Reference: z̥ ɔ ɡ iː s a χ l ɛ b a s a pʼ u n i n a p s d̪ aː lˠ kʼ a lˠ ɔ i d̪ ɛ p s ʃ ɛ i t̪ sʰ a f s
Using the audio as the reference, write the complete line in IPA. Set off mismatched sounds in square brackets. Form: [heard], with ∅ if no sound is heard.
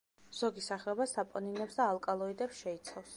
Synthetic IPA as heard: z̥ ɔ ɡ [i] s a χ l ɛ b a s a pʼ [ɔ] n i n [ɛ] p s d̪ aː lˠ kʼ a lˠ ɔ i d̪ ɛ p s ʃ ɛ i t̪ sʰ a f s